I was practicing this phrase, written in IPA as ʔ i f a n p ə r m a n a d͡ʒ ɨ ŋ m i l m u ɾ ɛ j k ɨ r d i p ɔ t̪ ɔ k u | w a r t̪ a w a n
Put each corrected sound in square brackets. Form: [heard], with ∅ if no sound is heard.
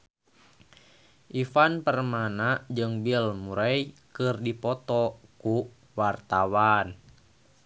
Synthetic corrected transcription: ʔ i f a n p ə r m a n a d͡ʒ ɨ ŋ [b] i l m u ɾ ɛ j k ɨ r d i p ɔ t̪ ɔ k u | w a r t̪ a w a n